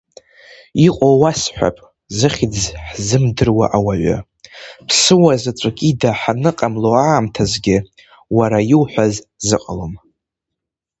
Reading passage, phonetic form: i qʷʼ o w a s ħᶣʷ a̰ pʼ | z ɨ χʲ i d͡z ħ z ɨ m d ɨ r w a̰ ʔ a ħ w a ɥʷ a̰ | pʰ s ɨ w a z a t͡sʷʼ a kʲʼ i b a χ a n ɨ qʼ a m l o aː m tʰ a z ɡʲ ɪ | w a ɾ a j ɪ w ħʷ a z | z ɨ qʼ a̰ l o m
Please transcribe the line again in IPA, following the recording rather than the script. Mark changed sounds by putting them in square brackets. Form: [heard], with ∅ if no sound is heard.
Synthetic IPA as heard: i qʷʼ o w a s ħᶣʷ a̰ pʼ | z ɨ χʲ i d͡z ħ z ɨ m d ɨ r w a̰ ʔ a [∅] w a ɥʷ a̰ | pʰ s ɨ w a z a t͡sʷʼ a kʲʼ i [d] a [ħ] a n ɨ qʼ a m l o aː m tʰ a z ɡʲ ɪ | w a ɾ a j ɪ w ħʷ a z | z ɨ qʼ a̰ l o m